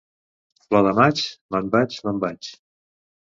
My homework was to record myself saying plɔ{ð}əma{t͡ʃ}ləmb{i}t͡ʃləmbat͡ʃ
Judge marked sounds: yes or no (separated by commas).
yes, yes, no